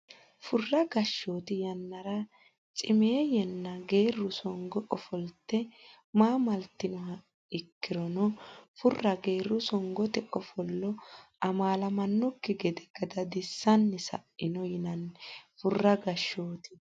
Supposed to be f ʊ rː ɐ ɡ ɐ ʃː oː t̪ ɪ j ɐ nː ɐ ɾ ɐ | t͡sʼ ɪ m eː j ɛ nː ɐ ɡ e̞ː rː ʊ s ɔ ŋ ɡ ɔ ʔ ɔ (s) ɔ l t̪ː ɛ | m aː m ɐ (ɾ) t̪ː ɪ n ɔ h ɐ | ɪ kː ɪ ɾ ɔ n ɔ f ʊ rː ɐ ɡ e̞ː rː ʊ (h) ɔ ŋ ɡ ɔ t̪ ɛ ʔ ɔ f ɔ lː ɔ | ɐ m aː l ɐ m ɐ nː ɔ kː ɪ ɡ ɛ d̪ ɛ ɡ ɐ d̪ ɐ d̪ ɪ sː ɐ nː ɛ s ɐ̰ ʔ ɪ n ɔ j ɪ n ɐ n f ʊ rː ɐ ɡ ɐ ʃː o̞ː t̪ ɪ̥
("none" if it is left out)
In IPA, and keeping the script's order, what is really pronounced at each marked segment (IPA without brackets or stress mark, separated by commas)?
f, l, s